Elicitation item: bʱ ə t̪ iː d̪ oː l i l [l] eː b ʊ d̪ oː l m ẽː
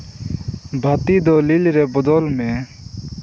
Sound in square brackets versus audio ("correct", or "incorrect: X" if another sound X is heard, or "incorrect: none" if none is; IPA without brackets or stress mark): incorrect: ɾ